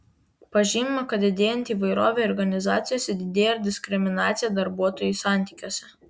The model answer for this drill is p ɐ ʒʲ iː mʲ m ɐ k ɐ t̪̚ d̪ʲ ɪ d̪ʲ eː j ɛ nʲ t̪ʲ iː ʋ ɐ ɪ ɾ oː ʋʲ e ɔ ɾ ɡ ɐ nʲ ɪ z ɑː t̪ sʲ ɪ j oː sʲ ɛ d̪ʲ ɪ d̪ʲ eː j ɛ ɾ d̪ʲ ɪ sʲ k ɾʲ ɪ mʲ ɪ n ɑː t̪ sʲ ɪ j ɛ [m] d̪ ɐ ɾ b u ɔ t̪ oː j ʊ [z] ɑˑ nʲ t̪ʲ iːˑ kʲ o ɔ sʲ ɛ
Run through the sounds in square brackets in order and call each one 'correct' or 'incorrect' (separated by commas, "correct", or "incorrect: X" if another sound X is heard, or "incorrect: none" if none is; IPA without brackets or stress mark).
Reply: incorrect: none, incorrect: s